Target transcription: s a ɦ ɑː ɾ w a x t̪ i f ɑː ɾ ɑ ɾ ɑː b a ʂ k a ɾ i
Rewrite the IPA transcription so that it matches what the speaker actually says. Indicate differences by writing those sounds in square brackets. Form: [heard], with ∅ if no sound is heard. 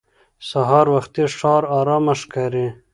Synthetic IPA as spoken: s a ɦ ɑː ɾ w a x t̪ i [ʂ] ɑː ɾ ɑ ɾ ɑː [m] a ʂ k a ɾ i